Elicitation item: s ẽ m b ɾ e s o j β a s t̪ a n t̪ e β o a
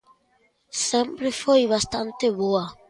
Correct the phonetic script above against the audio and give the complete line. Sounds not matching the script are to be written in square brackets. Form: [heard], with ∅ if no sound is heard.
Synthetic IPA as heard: s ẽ m [p] ɾ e [f] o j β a s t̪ a n t̪ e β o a

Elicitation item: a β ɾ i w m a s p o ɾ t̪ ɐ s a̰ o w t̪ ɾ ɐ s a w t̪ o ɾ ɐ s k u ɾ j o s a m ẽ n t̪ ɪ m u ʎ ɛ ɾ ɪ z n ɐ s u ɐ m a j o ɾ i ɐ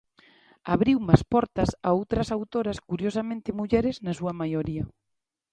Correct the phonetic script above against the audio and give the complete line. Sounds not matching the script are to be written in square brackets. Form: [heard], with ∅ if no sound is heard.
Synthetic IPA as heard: a β ɾ i w m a s p [ɔ] ɾ t̪ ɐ s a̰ o w t̪ ɾ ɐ s a w t̪ o ɾ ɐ s k u ɾ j o s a m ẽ n t̪ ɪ m u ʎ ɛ ɾ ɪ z n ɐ s u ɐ m a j o ɾ i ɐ

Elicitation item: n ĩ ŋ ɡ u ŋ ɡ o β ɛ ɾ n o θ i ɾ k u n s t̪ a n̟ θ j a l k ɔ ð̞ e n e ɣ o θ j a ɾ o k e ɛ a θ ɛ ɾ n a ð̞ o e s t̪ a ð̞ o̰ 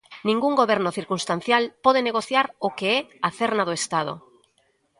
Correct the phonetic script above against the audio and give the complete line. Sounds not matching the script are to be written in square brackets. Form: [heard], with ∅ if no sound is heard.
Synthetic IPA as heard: n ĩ ŋ ɡ u ŋ ɡ o β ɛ ɾ n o θ i ɾ k u n s t̪ a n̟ θ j a l [p] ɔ ð̞ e n e ɣ o θ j a ɾ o k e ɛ a θ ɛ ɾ n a ð̞ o e s t̪ a ð̞ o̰

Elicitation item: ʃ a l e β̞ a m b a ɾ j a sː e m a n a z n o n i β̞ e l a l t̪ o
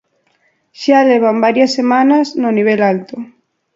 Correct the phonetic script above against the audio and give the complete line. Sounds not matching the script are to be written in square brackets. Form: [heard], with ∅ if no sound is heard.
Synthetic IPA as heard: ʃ a l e β̞ a m b a ɾ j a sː e m a n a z n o n i β̞ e l a l t̪ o

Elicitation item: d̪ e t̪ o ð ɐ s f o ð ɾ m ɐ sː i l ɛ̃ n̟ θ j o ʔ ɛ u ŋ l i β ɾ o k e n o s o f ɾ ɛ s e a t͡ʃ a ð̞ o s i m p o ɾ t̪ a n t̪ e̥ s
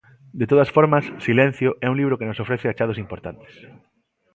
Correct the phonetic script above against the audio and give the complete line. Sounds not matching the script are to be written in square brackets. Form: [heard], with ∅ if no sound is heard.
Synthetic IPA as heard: d̪ e t̪ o ð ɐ s f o [∅] ɾ m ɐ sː i l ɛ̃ n̟ θ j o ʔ ɛ u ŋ l i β ɾ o k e n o s o f ɾ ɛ [θ] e a t͡ʃ a ð̞ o s i m p o ɾ t̪ a n t̪ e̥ s

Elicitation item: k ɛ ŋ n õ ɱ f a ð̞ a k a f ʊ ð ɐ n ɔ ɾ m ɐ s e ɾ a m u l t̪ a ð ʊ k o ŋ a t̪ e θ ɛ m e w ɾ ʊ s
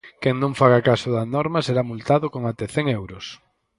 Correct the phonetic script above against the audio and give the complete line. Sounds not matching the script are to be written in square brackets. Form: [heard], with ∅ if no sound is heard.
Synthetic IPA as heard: k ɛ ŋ n õ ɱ f a [ɣ̞] a k a [s] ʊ ð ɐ n ɔ ɾ m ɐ s e ɾ a m u l t̪ a ð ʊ k o ŋ a t̪ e θ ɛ [ŋ] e w ɾ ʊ s

